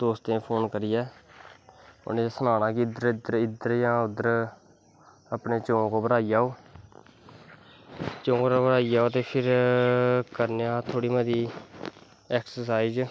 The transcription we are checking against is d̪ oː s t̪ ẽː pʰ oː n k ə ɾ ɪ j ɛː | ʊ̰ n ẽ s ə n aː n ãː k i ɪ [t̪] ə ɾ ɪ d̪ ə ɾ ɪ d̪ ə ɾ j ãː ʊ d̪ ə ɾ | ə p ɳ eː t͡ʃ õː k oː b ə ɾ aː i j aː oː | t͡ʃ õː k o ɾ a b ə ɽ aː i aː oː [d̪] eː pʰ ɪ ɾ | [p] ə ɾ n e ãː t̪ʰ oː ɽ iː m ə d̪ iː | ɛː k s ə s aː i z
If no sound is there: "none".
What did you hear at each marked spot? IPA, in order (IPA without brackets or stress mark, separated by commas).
d̪, t̪, k